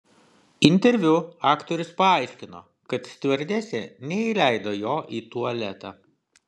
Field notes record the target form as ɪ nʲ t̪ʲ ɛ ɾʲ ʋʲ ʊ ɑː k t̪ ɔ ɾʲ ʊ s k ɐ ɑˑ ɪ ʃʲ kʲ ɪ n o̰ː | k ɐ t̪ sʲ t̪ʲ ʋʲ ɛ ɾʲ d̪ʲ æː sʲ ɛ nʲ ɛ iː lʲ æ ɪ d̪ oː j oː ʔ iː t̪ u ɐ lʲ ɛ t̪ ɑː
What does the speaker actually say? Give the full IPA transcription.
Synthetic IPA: ɪ nʲ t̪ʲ ɛ ɾʲ ʋʲ ʊ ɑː k t̪ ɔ ɾʲ ʊ s p ɐ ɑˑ ɪ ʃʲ kʲ ɪ n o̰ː | k ɐ t̪ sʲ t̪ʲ ʋʲ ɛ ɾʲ d̪ʲ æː sʲ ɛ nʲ ɛ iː lʲ æ ɪ d̪ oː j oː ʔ iː t̪ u ɐ lʲ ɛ t̪ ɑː